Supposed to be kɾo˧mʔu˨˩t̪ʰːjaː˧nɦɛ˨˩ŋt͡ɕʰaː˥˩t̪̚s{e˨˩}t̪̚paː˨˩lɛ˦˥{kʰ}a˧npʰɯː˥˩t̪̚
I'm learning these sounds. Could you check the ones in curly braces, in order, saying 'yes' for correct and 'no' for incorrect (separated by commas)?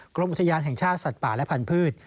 no, no